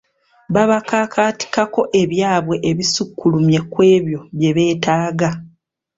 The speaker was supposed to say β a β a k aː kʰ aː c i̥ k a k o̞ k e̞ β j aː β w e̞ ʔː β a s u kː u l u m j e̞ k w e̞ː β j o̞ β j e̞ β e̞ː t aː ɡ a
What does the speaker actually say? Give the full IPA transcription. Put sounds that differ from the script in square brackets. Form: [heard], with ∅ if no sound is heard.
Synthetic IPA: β a β a k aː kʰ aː [t] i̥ k a k o̞ [ʔ] e̞ β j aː β w e̞ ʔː β [i] s u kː u l u m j e̞ k w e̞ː β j o̞ β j e̞ β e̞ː t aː ɡ a

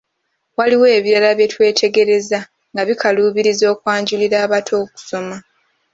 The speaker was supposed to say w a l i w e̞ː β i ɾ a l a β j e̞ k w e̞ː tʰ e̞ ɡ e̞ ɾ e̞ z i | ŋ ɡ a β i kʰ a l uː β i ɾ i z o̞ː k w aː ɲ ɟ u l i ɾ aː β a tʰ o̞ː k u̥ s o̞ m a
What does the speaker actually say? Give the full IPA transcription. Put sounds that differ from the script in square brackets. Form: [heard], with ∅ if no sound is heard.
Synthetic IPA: w a l i w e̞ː β i ɾ a l a β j e̞ [t] w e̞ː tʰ e̞ ɡ e̞ ɾ e̞ z [a] | ŋ ɡ a β i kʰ a l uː β i ɾ i z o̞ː k w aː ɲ ɟ u l i ɾ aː β a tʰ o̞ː k u̥ s o̞ m a

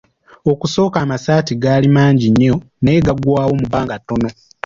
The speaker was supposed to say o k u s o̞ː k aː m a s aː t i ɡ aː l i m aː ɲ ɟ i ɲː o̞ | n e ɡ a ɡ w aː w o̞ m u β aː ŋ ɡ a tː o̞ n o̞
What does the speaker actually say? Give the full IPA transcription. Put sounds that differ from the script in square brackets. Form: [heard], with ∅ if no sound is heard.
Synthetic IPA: o k u s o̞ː k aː m a s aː t i ɡ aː l i m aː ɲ ɟ i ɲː o̞ | n e ɡ a ɡ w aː w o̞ m u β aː ŋ ɡ a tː o̞ n o̞

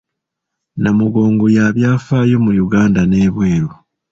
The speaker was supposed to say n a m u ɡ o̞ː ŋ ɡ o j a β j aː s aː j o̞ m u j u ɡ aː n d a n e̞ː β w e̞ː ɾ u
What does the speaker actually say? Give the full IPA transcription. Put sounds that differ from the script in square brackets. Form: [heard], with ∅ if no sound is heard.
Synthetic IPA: n a m u ɡ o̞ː ŋ ɡ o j a β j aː [f] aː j o̞ m u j u ɡ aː n d a n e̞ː β w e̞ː ɾ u

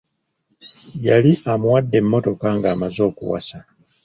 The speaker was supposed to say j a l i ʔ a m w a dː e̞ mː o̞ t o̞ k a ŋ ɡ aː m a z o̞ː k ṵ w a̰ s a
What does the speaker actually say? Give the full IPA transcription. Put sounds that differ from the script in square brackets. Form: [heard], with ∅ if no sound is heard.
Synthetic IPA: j a l i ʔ a m w a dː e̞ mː o̞ t o̞ k a ŋ ɡ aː m a z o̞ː k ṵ w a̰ s a

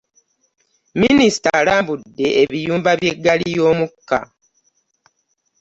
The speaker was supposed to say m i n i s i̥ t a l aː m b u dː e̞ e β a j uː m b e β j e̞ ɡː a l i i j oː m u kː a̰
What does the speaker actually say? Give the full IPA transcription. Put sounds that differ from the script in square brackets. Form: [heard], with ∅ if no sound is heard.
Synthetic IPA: m i n i s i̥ t a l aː m b u dː e̞ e β [i] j uː m b [a] β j e̞ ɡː a l i i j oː m u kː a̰

